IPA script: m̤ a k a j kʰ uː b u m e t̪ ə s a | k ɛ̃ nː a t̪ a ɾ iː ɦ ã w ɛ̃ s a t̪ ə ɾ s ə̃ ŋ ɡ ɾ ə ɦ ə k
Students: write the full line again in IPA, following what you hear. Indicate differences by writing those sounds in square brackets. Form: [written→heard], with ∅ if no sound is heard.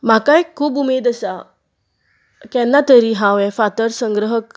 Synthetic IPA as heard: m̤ a k a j kʰ uː b u m e [t̪→d̪] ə s a | k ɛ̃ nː a t̪ [a→ə] ɾ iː ɦ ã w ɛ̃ [s→f] a t̪ ə ɾ s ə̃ ŋ ɡ ɾ ə ɦ ə k